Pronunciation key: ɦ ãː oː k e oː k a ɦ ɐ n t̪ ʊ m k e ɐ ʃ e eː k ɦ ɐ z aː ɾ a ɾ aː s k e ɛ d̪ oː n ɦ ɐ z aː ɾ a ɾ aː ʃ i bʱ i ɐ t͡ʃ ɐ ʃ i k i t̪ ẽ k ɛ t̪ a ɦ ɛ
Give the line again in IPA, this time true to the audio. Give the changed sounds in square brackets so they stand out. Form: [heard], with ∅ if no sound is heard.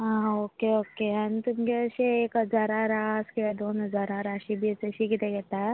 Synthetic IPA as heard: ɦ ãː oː k e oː k [e] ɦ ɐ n t̪ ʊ m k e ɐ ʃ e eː k ɦ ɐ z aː ɾ a ɾ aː s k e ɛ d̪ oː n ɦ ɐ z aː ɾ a ɾ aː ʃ i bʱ i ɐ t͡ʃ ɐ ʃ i k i t̪ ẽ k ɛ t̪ a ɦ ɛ